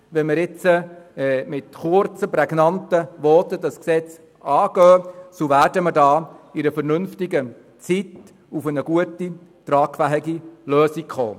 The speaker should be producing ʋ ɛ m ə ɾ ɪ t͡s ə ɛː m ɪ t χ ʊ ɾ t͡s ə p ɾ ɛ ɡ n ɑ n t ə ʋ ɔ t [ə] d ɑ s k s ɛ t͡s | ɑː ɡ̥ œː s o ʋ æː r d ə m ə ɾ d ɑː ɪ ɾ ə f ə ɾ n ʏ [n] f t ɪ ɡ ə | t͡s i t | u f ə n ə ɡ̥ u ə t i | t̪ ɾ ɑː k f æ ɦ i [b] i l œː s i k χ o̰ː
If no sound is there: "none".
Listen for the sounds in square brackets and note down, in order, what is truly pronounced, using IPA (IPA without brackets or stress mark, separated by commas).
ə, n, ɡ